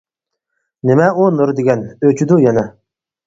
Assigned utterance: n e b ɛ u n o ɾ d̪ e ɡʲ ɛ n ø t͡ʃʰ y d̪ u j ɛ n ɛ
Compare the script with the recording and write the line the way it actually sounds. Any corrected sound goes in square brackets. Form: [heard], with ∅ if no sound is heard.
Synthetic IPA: n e [m] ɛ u n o ɾ d̪ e ɡʲ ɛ n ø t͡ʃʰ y d̪ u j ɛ n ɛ